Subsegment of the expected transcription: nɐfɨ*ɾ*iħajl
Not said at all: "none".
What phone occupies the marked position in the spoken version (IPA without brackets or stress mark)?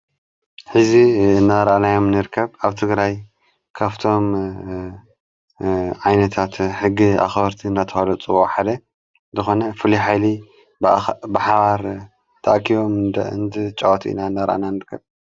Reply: l